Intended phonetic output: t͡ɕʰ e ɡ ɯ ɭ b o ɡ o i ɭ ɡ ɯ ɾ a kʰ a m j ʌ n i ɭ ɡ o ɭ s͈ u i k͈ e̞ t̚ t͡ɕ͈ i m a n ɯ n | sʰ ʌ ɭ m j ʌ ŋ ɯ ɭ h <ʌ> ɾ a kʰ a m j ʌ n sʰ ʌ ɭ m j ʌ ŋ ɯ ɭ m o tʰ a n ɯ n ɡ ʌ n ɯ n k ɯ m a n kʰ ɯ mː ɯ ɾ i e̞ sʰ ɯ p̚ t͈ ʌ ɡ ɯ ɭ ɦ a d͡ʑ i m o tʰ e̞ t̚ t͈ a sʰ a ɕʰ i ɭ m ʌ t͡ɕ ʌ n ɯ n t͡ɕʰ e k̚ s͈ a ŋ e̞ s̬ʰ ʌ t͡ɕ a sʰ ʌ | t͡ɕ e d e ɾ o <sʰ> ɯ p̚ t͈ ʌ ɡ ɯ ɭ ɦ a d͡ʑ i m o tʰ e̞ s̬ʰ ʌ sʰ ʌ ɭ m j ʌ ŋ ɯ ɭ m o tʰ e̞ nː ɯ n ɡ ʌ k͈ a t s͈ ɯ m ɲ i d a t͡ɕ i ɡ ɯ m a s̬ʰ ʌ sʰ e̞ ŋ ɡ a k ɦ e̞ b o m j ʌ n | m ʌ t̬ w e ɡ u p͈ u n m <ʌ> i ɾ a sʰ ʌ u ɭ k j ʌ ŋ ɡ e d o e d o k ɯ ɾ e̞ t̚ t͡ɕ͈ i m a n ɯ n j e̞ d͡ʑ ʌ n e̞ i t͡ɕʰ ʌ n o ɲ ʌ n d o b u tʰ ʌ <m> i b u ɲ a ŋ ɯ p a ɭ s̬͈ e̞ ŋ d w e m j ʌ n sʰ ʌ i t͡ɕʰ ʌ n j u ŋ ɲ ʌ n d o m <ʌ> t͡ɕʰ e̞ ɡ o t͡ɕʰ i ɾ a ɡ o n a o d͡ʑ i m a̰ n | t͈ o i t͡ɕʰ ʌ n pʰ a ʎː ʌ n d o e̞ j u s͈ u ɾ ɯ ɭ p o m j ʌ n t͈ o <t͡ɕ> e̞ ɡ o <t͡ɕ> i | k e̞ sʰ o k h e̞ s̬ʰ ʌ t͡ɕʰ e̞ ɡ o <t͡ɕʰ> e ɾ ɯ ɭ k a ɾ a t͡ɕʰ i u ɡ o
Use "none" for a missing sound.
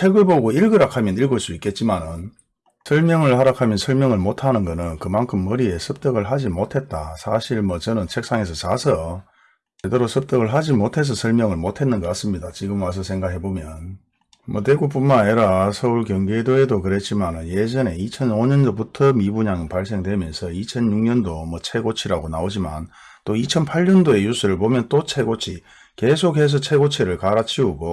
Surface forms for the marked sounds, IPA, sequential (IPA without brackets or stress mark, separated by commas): a, sʰ, a, m, ʌ, t͡ɕʰ, t͡ɕʰ, t͡ɕʰ